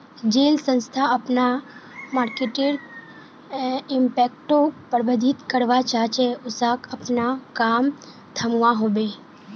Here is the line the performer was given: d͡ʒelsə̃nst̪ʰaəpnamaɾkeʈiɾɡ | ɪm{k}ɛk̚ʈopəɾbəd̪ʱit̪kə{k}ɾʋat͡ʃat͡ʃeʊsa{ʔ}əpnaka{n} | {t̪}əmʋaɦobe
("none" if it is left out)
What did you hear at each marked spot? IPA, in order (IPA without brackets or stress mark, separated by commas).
p, none, k, m, t̪ʰ